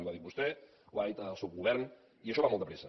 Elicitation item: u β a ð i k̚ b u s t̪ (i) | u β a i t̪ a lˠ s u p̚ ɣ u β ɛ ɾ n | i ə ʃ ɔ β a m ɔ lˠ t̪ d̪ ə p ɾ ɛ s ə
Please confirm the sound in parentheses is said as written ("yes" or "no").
no